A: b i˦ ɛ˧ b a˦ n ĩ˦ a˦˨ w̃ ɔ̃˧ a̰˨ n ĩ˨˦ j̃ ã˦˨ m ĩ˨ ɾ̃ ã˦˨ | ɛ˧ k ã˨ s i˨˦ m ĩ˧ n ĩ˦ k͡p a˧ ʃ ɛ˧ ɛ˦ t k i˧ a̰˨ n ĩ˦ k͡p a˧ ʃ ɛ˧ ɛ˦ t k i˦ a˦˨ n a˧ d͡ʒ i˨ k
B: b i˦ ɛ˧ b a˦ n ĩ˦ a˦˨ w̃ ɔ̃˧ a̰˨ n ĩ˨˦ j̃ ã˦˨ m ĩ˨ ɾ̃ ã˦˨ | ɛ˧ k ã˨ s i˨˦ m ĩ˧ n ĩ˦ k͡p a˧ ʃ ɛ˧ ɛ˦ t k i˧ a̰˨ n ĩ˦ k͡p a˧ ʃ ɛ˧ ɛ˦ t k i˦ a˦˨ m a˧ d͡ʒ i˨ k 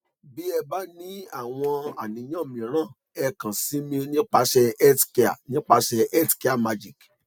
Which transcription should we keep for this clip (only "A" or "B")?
B